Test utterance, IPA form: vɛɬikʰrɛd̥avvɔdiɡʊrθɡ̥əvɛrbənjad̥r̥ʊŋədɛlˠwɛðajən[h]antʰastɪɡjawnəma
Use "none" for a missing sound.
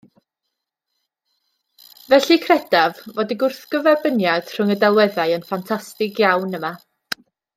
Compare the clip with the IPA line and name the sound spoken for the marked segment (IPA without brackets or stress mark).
f